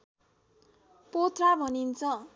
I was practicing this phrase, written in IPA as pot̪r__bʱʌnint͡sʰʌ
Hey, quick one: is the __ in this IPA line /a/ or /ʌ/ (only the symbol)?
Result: a